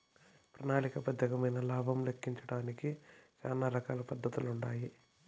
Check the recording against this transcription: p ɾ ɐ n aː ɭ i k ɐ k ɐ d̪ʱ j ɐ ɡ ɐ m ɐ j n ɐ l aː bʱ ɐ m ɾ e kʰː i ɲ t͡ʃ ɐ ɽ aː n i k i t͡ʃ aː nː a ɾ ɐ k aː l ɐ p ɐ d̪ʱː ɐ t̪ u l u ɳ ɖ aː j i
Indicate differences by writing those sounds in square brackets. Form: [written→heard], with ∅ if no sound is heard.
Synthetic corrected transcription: p ɾ ɐ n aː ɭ i k ɐ [k→p] ɐ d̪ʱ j ɐ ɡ ɐ m ɐ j n ɐ l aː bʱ ɐ m [ɾ→l] e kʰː i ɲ t͡ʃ ɐ ɽ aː n i k i t͡ʃ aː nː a ɾ ɐ k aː l ɐ p ɐ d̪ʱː ɐ t̪ u l u ɳ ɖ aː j i